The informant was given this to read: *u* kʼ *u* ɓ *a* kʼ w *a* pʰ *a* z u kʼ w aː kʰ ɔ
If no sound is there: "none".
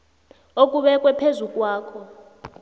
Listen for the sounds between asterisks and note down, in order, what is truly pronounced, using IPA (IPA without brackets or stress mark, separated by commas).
o, u, ɛ, ɛ, e